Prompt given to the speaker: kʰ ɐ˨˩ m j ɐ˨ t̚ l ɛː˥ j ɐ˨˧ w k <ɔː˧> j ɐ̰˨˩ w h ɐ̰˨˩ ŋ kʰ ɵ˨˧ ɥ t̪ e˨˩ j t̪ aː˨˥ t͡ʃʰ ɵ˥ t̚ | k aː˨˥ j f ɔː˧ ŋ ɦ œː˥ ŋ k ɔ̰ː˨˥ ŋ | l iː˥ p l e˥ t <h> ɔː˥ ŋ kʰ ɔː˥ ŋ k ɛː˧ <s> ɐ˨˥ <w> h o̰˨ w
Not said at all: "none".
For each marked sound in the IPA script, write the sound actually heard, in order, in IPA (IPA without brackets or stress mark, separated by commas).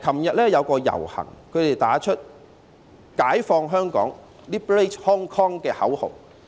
ɔː˧, h, h, w